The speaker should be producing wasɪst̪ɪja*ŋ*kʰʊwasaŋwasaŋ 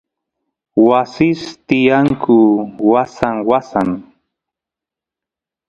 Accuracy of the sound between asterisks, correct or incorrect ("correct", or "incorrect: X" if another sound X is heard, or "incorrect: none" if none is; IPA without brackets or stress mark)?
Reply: correct